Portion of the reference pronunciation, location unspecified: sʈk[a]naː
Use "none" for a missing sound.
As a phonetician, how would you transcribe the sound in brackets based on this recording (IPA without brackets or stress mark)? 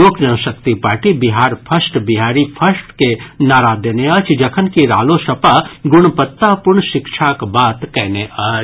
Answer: e